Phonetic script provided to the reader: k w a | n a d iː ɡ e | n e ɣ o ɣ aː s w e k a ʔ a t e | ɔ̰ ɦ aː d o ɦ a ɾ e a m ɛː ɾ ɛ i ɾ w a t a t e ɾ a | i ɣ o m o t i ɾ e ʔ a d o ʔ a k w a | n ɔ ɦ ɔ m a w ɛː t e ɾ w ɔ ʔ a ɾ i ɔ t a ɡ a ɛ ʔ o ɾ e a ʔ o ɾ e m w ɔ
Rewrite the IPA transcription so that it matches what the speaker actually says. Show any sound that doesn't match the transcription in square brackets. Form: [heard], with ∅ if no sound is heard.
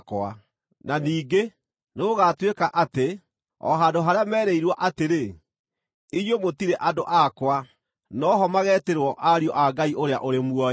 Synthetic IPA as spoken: k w a | n a [n] iː ɡ e | n e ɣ o ɣ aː [t] w e k a ʔ a t e | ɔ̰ ɦ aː d o ɦ a ɾ e a m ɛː ɾ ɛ i ɾ w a [ʔ] a t e ɾ [e] | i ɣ o m o t i ɾ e ʔ a d o ʔ a k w a | n ɔ ɦ ɔ m a [ɣ] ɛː t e ɾ w ɔ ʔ a ɾ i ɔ [ʔ] a ɡ a [i] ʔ o ɾ e a ʔ o ɾ e m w ɔ